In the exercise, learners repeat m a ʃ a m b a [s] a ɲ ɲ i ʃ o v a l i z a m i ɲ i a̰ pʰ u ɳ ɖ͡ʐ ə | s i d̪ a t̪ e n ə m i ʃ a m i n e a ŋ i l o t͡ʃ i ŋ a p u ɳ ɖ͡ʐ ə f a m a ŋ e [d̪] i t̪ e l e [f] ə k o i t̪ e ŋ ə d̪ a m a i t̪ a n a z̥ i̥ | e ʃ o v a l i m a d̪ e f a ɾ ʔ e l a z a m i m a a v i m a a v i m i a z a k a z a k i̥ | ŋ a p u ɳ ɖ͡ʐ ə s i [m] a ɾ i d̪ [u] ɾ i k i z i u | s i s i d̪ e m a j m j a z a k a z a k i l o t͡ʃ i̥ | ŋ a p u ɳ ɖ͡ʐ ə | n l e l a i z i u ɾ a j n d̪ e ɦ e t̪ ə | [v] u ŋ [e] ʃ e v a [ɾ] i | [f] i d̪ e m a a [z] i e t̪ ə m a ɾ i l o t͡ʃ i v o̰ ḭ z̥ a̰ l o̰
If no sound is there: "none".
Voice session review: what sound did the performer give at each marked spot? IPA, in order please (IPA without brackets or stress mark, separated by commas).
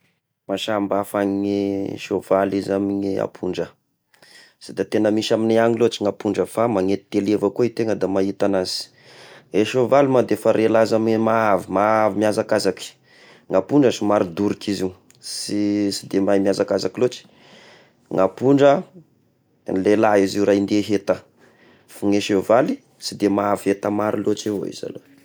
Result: f, t̪, v, m, u, f, e, l, s, v